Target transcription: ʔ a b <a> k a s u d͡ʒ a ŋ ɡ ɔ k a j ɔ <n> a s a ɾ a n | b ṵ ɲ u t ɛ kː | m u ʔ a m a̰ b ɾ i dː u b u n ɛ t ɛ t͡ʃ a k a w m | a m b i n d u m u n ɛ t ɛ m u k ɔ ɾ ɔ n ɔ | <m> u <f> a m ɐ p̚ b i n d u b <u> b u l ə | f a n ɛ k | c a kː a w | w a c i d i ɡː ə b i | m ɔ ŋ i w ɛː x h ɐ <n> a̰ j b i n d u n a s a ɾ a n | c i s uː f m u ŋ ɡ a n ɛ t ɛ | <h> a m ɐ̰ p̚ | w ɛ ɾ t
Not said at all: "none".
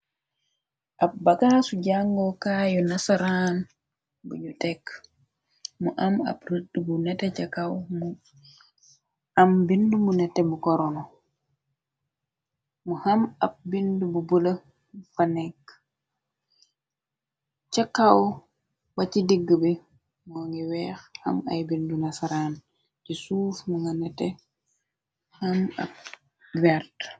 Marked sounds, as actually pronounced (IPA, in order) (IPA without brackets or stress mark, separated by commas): a, n, m, h, u, m, h